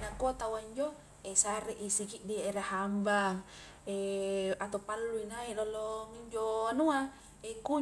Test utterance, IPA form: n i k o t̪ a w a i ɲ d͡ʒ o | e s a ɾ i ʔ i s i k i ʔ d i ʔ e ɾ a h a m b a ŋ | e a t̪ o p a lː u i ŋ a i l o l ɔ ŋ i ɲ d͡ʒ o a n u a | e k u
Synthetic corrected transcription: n a k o t̪ a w a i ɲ d͡ʒ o | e s a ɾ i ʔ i s i k i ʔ d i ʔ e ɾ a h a m b a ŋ | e a t̪ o p a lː u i n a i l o l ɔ ŋ i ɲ d͡ʒ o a n u a | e k u